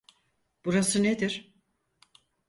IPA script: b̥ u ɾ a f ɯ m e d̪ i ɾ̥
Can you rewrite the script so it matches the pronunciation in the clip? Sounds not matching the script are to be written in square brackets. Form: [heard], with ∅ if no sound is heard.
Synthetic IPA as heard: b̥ u ɾ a [s] ɯ [n] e d̪ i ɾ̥